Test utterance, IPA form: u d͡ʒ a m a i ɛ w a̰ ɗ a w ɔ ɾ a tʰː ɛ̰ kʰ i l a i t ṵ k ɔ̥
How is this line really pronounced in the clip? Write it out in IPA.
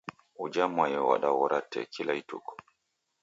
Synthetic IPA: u d͡ʒ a m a j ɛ w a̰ ɗ a w ɔ ɾ a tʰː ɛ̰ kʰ i l a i t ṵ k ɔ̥

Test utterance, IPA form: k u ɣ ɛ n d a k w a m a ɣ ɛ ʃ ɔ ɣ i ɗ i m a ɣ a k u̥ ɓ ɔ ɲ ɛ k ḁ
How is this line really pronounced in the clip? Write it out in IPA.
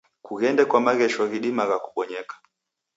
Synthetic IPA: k u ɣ ɛ n d ɛ k w a m a ɣ ɛ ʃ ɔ ɣ i ɗ i m a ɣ a k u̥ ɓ ɔ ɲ ɛ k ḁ

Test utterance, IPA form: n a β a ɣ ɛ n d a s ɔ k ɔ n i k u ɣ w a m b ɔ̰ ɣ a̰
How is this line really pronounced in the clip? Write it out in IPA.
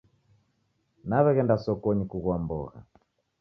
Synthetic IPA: n a β ɛ ɣ ɛ n d a s ɔ k ɔ ɲ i k u ɣ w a m b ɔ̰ ɣ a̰

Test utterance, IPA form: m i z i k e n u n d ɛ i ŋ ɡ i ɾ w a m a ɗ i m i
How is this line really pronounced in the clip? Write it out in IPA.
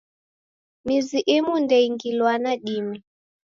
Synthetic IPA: m i z i ʔ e m u n d ɛ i ŋ ɡ i l w a n a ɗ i m i

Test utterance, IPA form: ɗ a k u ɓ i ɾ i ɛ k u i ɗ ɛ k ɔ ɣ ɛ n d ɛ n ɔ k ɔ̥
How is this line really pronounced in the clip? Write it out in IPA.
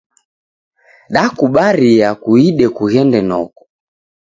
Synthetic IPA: ɗ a k u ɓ a ɾ i a k u i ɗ ɛ k u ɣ ɛ n d ɛ n ɔ k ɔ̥

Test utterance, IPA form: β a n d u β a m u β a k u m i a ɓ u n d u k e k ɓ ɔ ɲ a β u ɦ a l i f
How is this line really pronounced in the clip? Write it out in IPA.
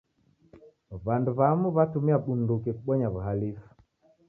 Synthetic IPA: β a n d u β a m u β a t u m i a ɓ u n d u k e k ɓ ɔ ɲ a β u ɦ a l i f

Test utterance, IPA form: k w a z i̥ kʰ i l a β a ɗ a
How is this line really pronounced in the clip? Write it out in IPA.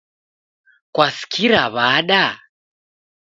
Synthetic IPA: k w a s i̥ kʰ i ɾ a β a ɗ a

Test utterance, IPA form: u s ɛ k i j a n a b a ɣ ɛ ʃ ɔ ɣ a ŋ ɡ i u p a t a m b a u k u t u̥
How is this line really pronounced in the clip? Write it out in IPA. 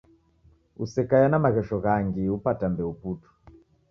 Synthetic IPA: u s ɛ k a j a n a m a ɣ ɛ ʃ ɔ ɣ a ŋ ɡ i u p a t a m b ɛ u p u t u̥

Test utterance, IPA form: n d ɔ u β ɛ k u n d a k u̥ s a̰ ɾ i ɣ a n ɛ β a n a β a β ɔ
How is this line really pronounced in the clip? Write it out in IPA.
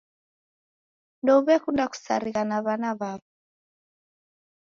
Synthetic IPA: n d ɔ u β ɛ k u n d a k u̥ s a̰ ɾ i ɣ a n a β a n a β a β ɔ

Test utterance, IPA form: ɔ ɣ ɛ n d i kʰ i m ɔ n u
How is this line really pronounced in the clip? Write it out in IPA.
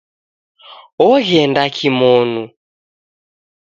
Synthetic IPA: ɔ ɣ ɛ n d a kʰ i m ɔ n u

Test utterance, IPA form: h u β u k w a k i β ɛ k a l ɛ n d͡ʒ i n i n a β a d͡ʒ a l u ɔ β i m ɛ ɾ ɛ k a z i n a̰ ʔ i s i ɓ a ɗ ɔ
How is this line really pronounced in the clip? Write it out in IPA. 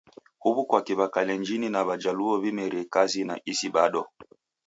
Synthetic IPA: h u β u k w a k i β a k a l ɛ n d͡ʒ i n i n a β a d͡ʒ a l u ɔ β i m ɛ ɾ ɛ k a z i n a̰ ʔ i s i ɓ a ɗ ɔ

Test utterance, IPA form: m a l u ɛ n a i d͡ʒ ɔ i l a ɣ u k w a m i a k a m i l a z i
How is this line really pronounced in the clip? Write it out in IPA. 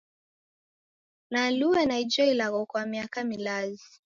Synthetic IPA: n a l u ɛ n a i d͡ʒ ɔ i l a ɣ ɔ k w a m i a k a m i l a z i

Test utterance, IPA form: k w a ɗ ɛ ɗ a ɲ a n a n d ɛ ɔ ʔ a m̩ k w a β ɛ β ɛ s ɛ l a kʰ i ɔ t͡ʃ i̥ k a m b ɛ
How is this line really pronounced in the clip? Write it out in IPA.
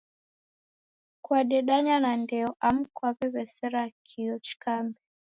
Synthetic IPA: k w a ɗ ɛ ɗ a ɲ a n a n d ɛ ɔ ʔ a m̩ k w a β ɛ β ɛ s ɛ ɾ a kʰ i ɔ t͡ʃ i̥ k a m b ɛ

